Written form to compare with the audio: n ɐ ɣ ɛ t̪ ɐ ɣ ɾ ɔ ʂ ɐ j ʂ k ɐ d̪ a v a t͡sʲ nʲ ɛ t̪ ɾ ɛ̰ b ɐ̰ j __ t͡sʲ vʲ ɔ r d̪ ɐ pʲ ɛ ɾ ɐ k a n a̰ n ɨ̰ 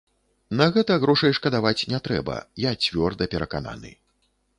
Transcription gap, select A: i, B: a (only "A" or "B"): B